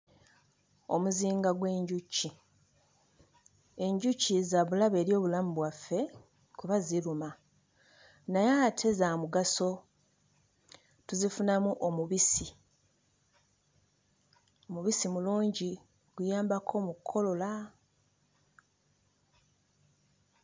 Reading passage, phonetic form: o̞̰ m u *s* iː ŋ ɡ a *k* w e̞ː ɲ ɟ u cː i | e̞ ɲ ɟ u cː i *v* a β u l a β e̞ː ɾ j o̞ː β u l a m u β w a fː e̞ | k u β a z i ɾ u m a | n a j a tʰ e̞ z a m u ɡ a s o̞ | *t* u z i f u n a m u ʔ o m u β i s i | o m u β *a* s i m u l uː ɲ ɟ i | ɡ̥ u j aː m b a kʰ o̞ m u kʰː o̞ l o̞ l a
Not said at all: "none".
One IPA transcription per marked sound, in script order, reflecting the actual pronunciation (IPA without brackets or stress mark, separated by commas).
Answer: z, ɡ, z, t, i